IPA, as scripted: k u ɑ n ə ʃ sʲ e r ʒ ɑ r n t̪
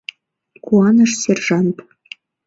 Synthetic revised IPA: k u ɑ n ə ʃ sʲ e r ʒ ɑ n t̪